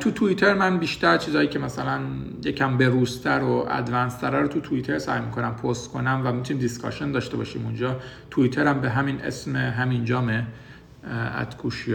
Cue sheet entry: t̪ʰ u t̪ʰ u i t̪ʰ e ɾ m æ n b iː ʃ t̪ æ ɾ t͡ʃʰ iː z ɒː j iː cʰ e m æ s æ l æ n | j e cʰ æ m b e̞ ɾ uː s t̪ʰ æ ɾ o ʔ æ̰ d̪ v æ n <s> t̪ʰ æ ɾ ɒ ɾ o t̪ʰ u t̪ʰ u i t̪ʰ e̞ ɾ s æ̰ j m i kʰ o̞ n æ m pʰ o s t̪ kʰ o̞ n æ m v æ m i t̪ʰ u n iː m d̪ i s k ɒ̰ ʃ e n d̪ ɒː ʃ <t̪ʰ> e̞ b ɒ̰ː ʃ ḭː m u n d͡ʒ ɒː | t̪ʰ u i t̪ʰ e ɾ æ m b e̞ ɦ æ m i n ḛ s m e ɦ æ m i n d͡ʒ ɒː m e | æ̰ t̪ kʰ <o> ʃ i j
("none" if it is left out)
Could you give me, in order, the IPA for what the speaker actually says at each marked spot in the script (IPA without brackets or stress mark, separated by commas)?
s, t̪, u